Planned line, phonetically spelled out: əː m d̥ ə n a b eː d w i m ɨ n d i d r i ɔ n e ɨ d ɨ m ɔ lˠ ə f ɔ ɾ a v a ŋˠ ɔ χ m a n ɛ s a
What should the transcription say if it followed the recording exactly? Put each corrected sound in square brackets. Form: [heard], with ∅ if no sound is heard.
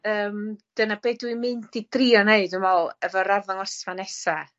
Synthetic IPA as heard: əː m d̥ ə n a b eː d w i m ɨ n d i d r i ɔ n e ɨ d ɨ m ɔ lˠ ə [v] ɔ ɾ a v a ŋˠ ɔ [s] m a n ɛ s a